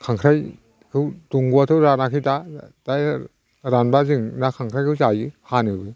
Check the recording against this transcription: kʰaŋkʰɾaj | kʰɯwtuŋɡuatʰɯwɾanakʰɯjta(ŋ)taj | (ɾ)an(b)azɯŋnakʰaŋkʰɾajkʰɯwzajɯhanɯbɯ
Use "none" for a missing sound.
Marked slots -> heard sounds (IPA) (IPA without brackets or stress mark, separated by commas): none, ɾ, b